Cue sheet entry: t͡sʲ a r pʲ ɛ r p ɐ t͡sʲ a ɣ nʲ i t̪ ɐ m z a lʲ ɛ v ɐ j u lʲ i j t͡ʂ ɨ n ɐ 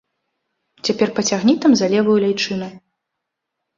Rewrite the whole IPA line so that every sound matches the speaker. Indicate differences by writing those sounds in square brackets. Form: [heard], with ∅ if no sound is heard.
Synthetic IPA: t͡sʲ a [∅] pʲ ɛ r p ɐ t͡sʲ a ɣ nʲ i t̪ ɐ m z a lʲ ɛ v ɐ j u lʲ [a] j t͡ʂ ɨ n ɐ